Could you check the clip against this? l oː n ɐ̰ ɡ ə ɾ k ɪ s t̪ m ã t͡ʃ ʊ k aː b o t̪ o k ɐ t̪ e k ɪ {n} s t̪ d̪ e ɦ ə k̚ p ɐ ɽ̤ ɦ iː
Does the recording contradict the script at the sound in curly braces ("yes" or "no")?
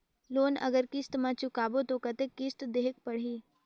yes